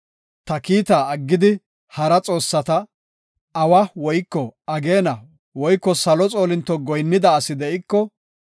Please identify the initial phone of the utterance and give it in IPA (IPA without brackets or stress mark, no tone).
t̪